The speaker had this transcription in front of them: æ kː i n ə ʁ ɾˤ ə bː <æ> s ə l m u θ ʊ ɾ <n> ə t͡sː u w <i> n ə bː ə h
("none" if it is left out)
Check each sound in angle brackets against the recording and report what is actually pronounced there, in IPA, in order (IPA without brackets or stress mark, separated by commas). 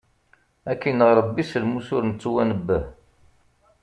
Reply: i, n, æ